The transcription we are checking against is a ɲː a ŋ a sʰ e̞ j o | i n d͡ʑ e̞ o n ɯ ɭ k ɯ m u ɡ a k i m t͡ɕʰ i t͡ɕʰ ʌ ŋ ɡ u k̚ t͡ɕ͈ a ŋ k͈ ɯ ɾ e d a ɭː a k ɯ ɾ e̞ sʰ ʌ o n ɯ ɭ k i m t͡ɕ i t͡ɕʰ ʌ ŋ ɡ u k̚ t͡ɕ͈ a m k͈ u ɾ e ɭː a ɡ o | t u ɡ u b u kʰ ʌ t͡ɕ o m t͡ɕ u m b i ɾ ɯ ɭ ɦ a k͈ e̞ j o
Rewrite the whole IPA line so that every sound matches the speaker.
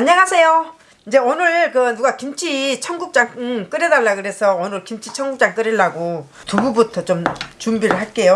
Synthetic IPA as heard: a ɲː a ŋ a sʰ e̞ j o | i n d͡ʑ e̞ o n ɯ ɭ k ɯ n u ɡ a k i m t͡ɕʰ i t͡ɕʰ ʌ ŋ ɡ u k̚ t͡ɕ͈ a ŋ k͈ ɯ ɾ e d a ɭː a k ɯ ɾ e̞ sʰ ʌ o n ɯ ɭ k i m t͡ɕʰ i t͡ɕʰ ʌ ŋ ɡ u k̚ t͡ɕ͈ a ŋ k͈ ɯ ɾ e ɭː a ɡ o | t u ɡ u b u tʰ ʌ t͡ɕ o m t͡ɕ u m b i ɾ ɯ ɭ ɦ a k͈ e̞ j o